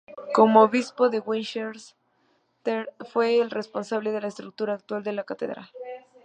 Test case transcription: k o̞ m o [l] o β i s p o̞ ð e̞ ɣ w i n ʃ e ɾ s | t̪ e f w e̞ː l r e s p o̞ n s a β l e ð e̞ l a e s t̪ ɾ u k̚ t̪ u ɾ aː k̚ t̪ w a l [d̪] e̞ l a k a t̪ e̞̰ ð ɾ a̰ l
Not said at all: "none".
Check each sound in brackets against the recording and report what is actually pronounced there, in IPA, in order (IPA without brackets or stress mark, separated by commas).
none, d̪